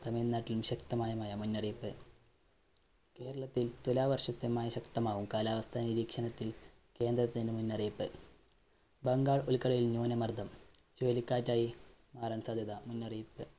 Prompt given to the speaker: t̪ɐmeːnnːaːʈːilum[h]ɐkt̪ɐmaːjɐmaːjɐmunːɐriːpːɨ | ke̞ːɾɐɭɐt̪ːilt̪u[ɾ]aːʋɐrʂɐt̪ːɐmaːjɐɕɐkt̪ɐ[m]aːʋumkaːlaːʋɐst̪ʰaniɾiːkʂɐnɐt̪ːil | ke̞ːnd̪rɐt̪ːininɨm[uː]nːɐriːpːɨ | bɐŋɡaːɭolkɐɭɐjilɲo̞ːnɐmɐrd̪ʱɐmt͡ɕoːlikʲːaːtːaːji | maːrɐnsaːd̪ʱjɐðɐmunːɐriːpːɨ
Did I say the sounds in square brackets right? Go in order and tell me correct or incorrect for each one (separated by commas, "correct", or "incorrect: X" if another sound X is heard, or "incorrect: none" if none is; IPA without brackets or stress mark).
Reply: incorrect: ɕ, incorrect: l, correct, incorrect: u